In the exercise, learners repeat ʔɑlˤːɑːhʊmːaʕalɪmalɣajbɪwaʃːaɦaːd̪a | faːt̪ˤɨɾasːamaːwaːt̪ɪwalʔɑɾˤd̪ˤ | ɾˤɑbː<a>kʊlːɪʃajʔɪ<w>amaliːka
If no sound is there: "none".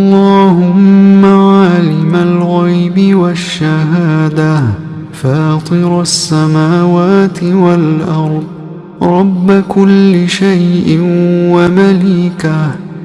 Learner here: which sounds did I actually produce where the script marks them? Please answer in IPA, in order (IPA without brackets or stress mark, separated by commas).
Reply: a, w